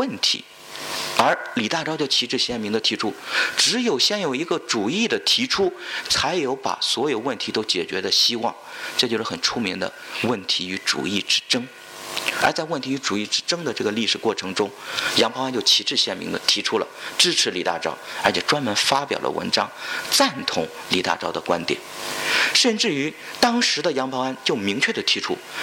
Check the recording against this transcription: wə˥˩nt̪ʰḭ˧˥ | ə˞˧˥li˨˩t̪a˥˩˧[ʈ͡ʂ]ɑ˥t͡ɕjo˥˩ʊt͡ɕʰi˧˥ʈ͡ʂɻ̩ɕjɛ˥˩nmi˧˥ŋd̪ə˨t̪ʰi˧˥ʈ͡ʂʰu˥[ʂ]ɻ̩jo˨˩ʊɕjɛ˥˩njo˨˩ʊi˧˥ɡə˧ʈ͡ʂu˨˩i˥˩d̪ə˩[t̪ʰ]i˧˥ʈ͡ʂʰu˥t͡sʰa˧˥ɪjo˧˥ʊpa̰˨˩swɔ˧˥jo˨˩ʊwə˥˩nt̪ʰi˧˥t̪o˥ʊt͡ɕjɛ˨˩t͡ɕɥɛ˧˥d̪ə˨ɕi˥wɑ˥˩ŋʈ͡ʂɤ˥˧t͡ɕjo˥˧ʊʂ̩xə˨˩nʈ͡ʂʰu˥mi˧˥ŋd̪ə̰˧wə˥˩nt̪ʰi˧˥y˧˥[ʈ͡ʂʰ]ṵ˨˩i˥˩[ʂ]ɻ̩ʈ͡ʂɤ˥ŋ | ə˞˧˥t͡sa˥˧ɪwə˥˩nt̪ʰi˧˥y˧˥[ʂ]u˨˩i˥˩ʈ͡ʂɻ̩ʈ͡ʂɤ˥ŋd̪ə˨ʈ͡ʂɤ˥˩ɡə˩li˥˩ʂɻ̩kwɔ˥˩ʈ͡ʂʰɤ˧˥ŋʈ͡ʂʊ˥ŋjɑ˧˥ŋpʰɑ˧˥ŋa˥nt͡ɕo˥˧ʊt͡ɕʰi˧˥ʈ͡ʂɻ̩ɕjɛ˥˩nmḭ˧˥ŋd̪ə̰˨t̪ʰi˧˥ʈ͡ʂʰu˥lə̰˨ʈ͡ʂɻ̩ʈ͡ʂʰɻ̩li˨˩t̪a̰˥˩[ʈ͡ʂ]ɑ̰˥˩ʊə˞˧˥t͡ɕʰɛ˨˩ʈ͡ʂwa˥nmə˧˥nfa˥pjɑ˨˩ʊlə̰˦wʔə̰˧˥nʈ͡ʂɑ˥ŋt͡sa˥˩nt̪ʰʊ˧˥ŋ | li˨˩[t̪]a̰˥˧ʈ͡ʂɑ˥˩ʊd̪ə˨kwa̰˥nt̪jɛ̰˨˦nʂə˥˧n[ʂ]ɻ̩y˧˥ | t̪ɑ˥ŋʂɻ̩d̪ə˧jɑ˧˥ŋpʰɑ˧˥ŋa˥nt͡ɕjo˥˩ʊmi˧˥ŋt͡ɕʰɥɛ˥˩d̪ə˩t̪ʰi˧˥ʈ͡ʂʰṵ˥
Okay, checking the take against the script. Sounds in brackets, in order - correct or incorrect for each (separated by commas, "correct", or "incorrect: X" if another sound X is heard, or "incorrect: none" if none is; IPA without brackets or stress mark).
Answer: correct, incorrect: ʈ͡ʂ, correct, incorrect: ʈ͡ʂ, incorrect: ʈ͡ʂ, incorrect: ʈ͡ʂ, correct, correct, incorrect: ʈ͡ʂ